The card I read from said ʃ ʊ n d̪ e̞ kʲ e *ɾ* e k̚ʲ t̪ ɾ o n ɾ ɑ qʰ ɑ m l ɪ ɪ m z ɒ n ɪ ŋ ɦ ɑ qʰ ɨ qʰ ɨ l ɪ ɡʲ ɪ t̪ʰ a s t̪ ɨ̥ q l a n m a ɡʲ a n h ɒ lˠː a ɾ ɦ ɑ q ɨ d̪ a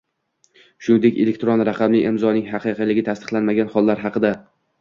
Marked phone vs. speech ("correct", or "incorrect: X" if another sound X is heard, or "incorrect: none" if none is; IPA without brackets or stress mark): incorrect: l